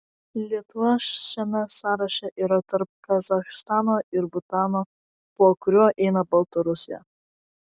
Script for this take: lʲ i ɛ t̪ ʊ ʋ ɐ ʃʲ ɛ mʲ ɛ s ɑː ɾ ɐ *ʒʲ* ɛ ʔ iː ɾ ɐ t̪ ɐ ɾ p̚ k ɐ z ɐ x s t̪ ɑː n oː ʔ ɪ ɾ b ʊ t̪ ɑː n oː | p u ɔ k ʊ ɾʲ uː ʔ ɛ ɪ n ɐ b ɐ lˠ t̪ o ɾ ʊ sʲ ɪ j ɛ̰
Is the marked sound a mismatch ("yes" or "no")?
yes